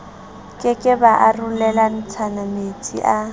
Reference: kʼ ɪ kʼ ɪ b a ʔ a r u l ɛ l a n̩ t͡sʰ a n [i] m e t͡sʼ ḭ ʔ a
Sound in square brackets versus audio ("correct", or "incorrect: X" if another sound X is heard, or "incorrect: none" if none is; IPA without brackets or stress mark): incorrect: a